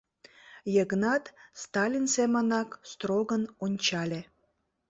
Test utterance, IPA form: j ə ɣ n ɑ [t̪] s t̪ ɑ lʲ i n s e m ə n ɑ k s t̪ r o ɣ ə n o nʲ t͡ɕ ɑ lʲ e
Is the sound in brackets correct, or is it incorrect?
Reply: correct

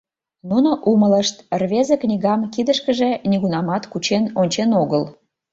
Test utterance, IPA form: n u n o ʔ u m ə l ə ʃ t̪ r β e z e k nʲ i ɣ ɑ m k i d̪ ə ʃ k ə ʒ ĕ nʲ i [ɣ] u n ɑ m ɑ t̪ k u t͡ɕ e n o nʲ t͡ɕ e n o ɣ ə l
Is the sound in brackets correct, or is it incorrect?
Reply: correct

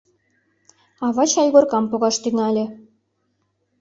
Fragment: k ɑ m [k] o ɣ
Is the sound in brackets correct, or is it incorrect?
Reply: incorrect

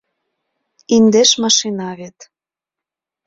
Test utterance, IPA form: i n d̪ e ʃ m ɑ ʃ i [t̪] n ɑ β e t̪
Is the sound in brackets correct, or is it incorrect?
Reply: incorrect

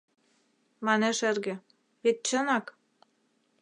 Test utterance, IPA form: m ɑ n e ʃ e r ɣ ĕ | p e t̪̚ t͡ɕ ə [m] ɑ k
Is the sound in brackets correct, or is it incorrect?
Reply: incorrect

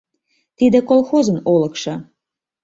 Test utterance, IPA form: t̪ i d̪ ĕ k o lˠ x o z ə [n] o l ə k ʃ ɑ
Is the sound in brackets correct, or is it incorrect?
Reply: correct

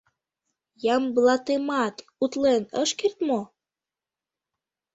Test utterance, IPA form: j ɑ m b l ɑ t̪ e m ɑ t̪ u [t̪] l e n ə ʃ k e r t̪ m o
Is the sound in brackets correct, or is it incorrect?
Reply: correct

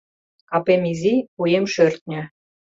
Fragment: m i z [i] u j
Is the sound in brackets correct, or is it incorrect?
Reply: correct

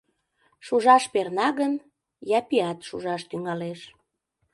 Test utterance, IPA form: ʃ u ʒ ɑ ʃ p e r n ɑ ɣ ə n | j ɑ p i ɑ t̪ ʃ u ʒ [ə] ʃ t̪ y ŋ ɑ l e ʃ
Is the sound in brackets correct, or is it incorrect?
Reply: incorrect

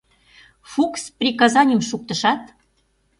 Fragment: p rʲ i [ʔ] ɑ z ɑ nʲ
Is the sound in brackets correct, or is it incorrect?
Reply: incorrect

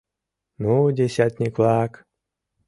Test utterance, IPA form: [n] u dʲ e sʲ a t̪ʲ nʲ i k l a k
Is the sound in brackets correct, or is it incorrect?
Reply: correct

